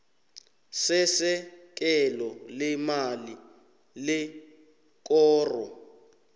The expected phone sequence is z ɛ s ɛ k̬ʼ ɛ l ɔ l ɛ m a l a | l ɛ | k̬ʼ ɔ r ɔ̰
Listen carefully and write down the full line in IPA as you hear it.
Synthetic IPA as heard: s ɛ s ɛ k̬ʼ ɛ l ɔ l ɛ m a l i | l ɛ | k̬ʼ ɔː r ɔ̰